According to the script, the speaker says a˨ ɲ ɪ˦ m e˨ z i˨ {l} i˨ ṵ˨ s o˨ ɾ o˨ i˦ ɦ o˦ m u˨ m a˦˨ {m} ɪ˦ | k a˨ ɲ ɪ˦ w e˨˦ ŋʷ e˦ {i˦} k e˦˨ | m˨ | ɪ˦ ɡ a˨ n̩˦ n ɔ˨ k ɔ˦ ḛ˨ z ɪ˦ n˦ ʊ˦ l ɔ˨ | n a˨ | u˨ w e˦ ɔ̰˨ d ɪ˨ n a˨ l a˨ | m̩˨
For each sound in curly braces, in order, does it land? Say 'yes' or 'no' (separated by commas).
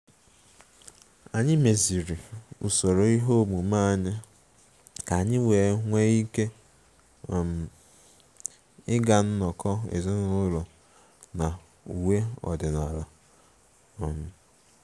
no, no, yes